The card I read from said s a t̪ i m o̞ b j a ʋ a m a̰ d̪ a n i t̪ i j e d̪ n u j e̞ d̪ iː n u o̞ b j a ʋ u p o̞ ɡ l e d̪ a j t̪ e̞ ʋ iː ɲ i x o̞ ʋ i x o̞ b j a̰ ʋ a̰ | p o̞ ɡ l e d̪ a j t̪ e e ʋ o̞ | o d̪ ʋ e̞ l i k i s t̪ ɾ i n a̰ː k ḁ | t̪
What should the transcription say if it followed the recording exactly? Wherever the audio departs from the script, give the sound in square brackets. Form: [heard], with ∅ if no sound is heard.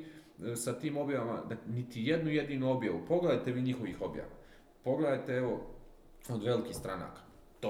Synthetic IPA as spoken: s a t̪ [iː] m o̞ b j a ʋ a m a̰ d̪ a n i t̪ i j e d̪ n u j e̞ d̪ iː n u o̞ b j a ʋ u p o̞ ɡ l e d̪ a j t̪ e̞ ʋ iː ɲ i x o̞ ʋ i x o̞ b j a̰ ʋ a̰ | p o̞ ɡ l e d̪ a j t̪ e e ʋ o̞ | o d̪ ʋ e̞ l i k i s t̪ ɾ [a] n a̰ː k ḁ | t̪